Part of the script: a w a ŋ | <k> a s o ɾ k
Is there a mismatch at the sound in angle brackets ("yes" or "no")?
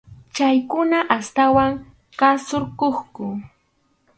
no